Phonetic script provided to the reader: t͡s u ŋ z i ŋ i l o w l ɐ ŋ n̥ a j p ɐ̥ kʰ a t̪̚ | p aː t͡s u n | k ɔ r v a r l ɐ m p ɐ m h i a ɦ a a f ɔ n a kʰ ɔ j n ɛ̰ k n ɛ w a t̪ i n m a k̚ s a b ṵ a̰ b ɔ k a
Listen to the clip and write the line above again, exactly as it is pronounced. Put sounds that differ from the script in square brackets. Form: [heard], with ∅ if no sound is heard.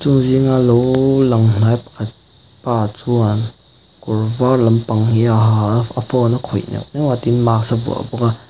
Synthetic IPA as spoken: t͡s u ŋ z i ŋ [a] l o w l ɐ ŋ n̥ a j p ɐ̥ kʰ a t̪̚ | p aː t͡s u n | k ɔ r v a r l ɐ m p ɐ [ŋ] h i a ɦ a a f ɔ n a kʰ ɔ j n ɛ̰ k n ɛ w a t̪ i n m a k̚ s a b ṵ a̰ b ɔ k a